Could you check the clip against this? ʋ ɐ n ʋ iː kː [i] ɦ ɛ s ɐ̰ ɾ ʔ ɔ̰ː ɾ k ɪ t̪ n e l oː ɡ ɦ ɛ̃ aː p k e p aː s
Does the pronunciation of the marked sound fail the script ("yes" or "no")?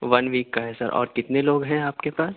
yes